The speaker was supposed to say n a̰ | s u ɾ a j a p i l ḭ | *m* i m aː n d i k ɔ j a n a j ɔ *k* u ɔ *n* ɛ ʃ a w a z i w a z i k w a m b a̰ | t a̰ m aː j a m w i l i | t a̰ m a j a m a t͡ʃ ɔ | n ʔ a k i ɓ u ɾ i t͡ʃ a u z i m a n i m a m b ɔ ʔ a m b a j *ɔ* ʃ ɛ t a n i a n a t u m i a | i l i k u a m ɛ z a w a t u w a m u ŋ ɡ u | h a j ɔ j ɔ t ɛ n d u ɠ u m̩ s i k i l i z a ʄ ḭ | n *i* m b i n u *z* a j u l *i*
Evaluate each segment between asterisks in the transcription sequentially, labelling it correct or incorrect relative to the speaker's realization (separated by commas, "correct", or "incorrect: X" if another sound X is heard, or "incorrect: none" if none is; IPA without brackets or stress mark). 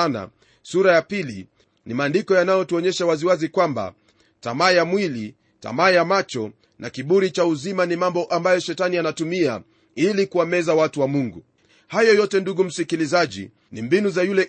incorrect: n, incorrect: t, incorrect: ɲ, correct, correct, correct, incorrect: ɛ